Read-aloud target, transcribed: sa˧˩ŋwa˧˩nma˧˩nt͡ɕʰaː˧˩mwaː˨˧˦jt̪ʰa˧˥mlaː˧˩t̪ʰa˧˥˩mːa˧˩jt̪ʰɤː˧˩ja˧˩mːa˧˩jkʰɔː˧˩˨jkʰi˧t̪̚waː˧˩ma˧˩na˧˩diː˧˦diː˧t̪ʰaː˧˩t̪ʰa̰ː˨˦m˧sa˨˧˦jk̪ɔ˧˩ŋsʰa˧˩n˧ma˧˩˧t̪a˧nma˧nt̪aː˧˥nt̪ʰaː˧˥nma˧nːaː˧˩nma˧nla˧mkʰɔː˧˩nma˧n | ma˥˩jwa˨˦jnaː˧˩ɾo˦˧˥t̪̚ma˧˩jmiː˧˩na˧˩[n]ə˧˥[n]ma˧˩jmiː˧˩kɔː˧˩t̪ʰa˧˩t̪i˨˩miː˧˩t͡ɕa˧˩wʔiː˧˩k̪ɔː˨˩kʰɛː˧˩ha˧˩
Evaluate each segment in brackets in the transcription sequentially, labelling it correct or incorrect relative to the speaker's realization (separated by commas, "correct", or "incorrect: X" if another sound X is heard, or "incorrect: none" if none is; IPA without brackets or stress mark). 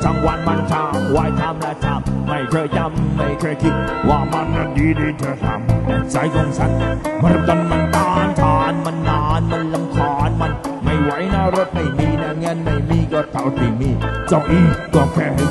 incorrect: ŋ, correct